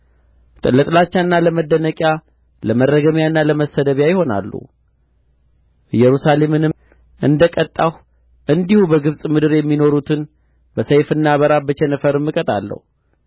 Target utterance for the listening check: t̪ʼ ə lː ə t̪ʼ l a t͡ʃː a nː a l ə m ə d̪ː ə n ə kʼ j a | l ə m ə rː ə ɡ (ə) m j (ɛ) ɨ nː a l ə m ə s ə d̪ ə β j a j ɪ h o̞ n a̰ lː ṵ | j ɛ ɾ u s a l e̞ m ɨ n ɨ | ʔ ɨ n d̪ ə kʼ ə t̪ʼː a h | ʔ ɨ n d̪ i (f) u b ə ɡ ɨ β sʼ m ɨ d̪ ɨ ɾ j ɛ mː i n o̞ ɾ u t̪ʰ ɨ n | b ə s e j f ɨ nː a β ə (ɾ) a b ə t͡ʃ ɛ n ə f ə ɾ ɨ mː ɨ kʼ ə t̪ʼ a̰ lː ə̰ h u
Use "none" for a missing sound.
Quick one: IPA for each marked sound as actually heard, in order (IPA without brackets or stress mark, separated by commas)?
ə, a, h, ɾ